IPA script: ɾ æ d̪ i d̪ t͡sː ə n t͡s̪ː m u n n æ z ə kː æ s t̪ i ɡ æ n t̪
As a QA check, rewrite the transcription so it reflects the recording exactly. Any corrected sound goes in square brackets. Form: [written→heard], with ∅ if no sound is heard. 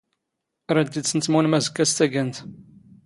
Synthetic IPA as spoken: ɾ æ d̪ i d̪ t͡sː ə n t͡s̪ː m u n [n→m] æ z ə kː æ s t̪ [i→æ] ɡ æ n t̪